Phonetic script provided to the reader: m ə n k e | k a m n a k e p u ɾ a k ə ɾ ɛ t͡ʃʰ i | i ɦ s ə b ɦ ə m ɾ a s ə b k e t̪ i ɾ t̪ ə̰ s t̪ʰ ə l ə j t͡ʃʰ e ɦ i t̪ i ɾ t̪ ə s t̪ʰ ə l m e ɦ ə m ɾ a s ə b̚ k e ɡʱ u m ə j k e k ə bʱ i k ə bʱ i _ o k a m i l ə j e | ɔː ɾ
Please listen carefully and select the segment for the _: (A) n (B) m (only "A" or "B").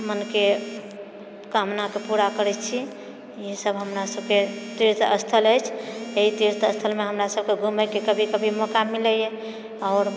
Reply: B